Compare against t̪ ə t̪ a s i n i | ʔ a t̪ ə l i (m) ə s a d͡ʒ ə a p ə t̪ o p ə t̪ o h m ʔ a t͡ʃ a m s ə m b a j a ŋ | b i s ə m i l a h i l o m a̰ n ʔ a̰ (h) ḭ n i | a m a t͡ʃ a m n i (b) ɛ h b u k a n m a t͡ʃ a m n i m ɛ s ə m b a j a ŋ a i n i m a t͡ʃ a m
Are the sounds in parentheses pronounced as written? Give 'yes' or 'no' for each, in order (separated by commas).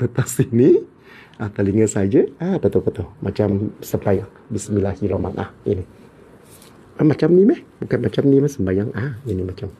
no, yes, no